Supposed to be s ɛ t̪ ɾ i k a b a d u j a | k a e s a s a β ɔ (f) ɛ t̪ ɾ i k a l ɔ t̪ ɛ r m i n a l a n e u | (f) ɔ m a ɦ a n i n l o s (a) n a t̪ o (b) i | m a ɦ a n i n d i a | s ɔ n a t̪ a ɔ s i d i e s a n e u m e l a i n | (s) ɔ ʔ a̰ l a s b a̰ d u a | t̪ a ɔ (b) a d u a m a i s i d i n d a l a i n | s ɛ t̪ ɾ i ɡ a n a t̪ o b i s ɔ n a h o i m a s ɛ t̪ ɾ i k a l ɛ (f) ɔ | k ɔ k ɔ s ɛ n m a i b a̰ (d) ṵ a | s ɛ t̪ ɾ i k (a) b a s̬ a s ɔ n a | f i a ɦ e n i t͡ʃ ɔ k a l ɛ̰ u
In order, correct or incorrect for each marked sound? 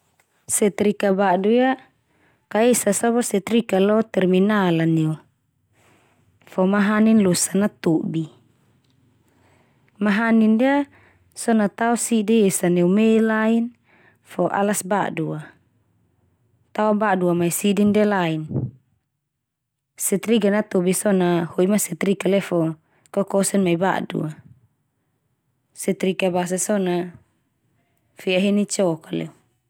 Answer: incorrect: s, correct, correct, correct, incorrect: f, correct, correct, correct, correct

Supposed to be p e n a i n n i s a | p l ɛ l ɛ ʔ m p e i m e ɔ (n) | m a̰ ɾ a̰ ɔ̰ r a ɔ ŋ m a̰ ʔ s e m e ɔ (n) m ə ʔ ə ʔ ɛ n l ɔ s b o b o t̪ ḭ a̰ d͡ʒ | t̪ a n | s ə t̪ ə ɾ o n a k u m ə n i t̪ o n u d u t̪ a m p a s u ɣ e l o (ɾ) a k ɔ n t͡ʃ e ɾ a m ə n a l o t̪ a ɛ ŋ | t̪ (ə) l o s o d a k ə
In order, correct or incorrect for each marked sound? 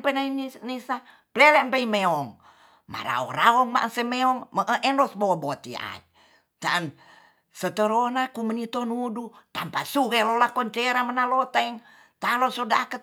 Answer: incorrect: ŋ, incorrect: ŋ, incorrect: l, incorrect: a

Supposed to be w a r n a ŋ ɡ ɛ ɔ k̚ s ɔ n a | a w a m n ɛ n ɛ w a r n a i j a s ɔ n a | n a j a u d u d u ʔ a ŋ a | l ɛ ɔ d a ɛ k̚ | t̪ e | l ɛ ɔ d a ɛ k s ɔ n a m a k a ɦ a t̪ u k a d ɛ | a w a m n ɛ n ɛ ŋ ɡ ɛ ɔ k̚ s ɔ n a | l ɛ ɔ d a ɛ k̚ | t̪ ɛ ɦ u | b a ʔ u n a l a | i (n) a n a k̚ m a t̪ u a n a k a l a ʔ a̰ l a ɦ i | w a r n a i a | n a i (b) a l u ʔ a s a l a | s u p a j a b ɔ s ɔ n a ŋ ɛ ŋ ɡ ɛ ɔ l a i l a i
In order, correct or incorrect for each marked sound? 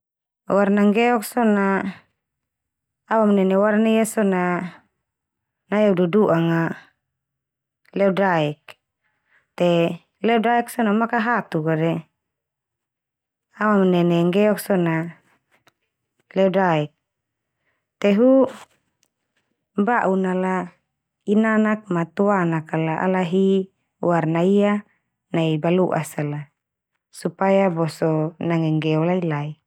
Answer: correct, correct

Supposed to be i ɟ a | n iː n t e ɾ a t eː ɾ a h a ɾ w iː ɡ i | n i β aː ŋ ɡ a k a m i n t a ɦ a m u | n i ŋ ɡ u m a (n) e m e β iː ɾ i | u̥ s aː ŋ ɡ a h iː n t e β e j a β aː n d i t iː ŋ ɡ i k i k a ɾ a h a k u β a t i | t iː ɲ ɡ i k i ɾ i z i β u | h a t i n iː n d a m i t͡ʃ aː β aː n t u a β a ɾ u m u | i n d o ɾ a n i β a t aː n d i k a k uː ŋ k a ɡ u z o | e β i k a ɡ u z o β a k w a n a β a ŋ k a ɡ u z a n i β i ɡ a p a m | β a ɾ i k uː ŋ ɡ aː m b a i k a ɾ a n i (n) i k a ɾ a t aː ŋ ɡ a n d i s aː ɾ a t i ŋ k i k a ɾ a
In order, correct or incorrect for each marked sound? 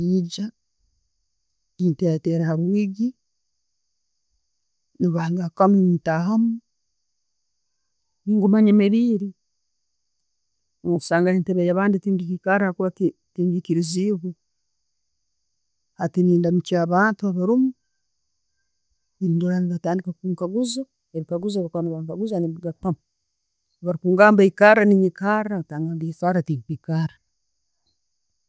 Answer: incorrect: ɲ, incorrect: ɲ

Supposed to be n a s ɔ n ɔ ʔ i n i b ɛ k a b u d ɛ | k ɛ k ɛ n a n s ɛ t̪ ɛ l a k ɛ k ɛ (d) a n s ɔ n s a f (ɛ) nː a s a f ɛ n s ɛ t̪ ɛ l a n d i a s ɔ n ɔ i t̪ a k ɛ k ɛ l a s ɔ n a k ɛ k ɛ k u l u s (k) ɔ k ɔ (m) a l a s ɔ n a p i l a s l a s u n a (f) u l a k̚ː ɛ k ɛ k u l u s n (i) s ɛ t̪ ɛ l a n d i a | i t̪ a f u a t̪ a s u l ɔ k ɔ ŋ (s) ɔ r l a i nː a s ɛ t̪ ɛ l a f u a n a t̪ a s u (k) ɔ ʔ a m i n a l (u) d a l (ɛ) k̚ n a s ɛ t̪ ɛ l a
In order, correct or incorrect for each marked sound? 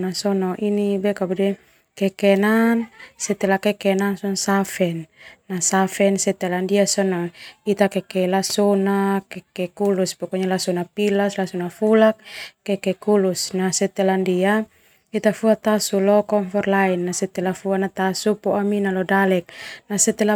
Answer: incorrect: n, correct, incorrect: p, incorrect: ɲ, correct, incorrect: a, incorrect: f, incorrect: p, incorrect: ɔ, correct

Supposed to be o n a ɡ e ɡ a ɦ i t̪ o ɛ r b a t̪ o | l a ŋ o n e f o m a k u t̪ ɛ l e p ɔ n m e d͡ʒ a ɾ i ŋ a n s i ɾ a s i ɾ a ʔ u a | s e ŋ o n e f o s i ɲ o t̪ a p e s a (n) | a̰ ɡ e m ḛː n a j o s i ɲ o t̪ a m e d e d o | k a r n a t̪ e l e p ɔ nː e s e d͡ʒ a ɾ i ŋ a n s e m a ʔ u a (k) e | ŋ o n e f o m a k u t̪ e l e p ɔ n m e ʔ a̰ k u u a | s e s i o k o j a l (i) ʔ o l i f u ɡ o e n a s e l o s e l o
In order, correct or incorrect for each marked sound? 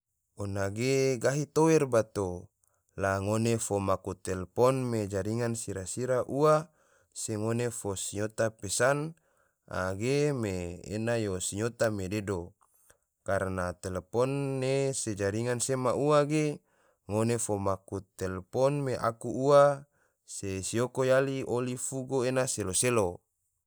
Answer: correct, incorrect: ɡ, correct

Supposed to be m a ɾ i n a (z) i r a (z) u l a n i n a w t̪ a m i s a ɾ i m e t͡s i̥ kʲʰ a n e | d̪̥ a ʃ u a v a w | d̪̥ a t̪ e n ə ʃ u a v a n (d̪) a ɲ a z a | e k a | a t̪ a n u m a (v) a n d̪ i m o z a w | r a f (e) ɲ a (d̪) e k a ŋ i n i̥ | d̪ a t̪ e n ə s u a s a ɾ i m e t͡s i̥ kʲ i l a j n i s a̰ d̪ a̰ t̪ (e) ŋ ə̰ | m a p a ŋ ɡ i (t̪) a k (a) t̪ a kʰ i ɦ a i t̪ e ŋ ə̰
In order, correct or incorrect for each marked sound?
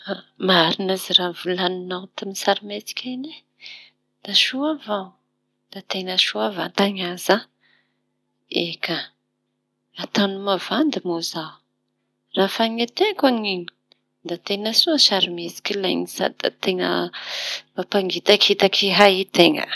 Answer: correct, incorrect: v, incorrect: t̪, correct, incorrect: a, incorrect: t̪, correct, correct, incorrect: i

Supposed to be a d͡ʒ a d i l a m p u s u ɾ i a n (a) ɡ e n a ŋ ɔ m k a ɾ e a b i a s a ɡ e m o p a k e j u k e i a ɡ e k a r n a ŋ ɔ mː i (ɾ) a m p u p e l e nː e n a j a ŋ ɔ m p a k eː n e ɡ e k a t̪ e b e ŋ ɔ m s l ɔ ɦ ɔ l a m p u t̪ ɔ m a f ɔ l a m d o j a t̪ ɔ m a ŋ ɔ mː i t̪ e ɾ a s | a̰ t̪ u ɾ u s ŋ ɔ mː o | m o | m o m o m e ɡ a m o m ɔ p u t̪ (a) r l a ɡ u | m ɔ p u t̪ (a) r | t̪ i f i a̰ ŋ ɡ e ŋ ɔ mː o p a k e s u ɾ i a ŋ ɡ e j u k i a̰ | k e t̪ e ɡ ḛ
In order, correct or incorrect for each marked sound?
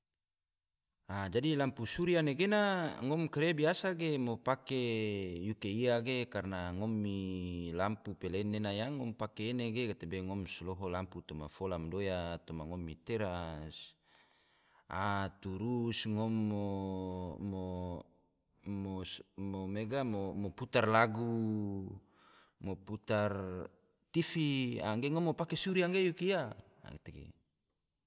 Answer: incorrect: e, incorrect: l, correct, correct

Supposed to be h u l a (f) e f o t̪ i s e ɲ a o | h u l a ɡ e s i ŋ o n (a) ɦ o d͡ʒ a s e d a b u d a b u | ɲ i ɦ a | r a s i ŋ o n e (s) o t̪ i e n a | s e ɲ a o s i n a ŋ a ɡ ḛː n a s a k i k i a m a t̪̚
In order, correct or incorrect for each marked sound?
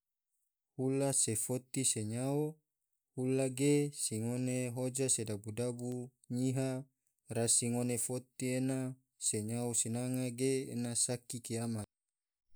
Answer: incorrect: s, incorrect: e, incorrect: f

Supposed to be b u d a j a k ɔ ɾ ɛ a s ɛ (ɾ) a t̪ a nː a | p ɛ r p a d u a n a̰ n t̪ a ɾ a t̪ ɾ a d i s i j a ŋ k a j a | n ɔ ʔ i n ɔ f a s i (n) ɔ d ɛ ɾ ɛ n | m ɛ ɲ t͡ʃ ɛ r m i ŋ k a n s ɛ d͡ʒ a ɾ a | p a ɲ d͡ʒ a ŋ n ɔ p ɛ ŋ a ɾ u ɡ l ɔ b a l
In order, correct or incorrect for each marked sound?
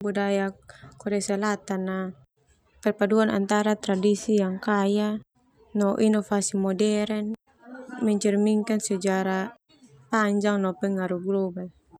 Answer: incorrect: l, incorrect: m

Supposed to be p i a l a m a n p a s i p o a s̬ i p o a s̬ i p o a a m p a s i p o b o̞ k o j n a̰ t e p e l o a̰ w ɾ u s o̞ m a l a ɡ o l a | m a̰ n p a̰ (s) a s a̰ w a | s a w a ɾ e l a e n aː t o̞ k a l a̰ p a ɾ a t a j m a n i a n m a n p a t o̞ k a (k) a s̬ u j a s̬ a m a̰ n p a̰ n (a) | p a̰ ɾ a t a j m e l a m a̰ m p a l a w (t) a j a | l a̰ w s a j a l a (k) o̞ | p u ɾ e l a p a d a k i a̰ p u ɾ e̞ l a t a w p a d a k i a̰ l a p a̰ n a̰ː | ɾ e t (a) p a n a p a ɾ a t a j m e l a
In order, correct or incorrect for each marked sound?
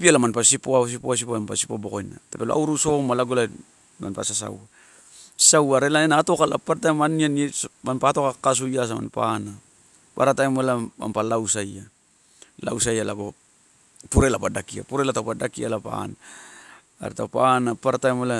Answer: correct, correct, correct, incorrect: s, incorrect: ɡ, correct

